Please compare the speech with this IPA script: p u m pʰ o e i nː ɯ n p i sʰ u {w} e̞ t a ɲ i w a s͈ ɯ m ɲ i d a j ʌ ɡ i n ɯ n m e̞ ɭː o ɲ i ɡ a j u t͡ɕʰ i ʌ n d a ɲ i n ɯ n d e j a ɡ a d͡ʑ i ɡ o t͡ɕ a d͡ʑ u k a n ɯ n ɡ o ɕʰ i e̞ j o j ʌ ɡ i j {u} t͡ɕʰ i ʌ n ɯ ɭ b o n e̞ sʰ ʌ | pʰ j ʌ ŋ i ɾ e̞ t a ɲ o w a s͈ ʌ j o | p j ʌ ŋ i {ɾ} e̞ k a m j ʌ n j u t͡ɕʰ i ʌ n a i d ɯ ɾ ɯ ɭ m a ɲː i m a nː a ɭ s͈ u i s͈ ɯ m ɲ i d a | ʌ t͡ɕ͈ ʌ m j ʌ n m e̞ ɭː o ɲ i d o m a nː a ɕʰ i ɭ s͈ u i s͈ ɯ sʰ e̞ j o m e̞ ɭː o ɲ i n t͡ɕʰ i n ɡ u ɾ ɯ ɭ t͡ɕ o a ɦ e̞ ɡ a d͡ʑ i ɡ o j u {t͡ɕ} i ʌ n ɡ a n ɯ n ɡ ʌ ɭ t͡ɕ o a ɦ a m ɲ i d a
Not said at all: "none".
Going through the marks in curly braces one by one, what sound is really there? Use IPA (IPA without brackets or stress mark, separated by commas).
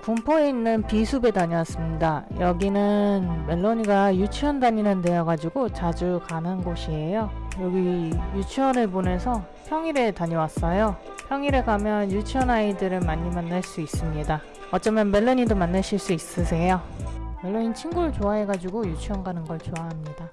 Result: b, u, ɾ, t͡ɕʰ